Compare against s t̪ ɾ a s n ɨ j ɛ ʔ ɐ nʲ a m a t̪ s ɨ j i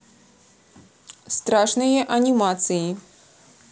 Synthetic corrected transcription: s t̪ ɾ a ʂ n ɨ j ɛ ʔ ɐ nʲ i m a t̪ s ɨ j i